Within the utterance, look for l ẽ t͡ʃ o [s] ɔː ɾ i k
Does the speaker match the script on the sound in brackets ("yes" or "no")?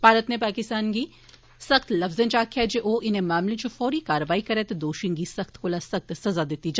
no